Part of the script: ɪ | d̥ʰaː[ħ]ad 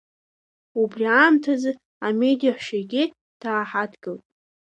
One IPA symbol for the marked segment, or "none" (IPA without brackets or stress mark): ħ